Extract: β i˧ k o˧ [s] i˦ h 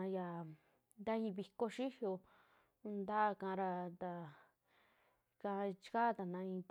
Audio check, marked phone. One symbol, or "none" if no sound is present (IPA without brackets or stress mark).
ʃ